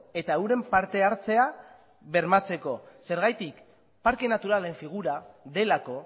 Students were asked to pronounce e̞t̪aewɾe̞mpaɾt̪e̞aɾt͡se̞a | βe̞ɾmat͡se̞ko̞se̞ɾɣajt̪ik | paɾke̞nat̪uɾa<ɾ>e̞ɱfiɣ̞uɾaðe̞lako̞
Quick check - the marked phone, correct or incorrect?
incorrect